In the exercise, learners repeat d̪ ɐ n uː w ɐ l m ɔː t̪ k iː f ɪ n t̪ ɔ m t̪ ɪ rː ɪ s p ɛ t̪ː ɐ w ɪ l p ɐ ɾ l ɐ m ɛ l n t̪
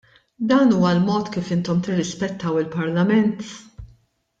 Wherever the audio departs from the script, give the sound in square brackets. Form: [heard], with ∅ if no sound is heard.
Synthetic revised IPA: d̪ [ɐː] n uː w ɐ l m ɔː t̪ k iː f ɪ n t̪ ɔ m t̪ ɪ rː ɪ s p ɛ t̪ː ɐ w ɪ l p ɐ ɾ l ɐ m ɛ [∅] n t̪